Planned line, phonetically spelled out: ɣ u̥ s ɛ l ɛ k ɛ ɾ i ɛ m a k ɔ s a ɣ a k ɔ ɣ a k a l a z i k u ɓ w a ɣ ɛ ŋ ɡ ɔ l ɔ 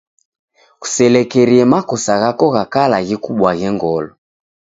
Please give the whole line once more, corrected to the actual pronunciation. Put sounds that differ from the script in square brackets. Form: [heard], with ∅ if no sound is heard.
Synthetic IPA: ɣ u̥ s ɛ l ɛ k ɛ ɾ i ɛ m a k ɔ s a ɣ a k ɔ ɣ a k a l a [ɣ] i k u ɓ w a ɣ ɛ ŋ ɡ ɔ l ɔ